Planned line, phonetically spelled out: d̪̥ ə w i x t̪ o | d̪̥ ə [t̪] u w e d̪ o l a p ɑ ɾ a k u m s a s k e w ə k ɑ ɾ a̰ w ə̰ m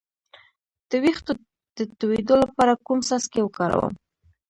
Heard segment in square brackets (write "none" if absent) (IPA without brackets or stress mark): t̪